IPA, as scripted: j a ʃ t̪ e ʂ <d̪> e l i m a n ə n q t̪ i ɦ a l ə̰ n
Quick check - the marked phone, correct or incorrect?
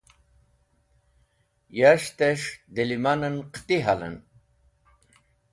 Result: correct